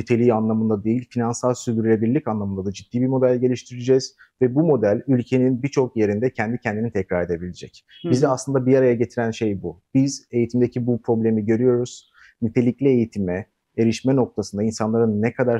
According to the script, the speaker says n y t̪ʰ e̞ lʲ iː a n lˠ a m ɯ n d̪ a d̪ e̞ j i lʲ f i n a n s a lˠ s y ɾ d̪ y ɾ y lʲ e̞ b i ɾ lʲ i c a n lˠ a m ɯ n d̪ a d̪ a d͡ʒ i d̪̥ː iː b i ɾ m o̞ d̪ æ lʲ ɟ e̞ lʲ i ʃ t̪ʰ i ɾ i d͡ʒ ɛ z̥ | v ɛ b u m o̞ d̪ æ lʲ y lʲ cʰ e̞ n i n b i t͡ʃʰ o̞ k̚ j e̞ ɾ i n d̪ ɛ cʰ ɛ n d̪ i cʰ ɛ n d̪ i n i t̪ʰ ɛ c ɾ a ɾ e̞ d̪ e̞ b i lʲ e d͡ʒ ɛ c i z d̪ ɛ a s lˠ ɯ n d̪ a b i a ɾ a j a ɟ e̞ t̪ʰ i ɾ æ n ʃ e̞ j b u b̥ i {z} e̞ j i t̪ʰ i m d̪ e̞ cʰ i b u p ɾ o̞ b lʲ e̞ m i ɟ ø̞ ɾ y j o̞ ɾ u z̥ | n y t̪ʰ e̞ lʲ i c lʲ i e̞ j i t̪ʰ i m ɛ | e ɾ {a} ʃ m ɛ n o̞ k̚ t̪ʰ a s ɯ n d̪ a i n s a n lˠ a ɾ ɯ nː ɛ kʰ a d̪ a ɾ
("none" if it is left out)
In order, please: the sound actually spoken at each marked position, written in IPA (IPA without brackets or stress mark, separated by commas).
z, i